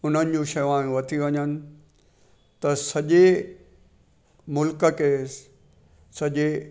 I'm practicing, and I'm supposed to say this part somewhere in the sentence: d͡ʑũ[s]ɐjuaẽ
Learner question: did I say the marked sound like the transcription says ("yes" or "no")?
no